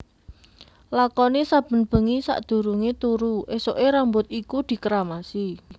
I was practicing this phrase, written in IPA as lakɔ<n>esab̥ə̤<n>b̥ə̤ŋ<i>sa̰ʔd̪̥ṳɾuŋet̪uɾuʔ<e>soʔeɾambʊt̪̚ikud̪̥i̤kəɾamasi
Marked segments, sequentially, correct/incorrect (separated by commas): correct, correct, correct, correct